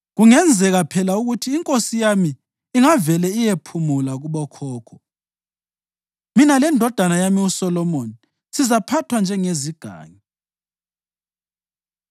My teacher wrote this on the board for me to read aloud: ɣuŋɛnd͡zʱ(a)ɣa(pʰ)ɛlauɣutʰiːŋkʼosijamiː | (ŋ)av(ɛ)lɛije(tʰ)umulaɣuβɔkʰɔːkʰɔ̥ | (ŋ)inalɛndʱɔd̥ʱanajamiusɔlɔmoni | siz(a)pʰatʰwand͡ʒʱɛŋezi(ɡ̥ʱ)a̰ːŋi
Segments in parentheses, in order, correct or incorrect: incorrect: ɛ, correct, correct, correct, incorrect: pʰ, incorrect: m, correct, correct

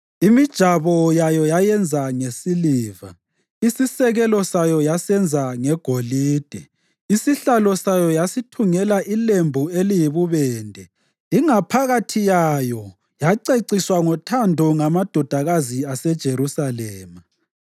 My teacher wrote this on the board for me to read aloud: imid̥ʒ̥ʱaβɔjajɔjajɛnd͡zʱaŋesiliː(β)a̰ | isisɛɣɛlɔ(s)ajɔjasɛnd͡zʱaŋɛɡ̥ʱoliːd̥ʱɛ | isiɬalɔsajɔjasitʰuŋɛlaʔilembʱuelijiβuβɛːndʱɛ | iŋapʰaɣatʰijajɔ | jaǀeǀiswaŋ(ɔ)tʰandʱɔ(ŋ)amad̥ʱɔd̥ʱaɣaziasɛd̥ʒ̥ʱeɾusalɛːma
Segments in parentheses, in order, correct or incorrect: incorrect: v, correct, correct, correct

